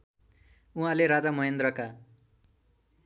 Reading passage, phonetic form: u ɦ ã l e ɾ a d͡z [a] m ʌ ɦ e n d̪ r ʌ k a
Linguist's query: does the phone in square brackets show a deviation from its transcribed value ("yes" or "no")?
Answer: no